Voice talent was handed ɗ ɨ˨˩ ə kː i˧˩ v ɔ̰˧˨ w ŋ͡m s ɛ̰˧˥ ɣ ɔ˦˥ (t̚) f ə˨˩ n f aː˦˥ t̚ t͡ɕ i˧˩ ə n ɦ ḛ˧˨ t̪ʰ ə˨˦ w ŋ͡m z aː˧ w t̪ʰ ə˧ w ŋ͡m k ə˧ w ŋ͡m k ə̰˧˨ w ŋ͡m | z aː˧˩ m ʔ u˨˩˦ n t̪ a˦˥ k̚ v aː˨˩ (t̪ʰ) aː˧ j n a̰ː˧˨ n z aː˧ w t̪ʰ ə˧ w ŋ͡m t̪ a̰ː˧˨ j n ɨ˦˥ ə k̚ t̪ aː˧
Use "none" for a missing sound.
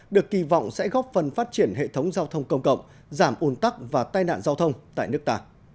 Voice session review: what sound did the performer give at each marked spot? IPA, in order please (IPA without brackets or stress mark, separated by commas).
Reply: p̚, t̪